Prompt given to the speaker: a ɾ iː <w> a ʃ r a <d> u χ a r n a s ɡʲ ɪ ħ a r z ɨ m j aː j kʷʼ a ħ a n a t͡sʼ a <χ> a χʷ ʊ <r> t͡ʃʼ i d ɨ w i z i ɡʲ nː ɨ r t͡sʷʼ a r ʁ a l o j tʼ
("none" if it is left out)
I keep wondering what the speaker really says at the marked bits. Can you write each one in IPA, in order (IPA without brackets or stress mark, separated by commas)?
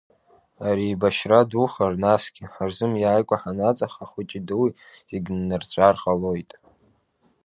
b, d, χ, none